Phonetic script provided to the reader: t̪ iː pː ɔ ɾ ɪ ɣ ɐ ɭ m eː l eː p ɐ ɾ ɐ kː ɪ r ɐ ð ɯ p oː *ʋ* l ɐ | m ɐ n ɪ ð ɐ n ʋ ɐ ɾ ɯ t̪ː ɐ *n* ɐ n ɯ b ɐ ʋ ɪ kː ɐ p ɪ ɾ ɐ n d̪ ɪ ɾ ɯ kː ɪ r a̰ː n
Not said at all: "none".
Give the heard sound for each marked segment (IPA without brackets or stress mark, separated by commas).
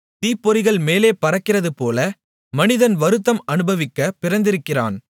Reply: none, m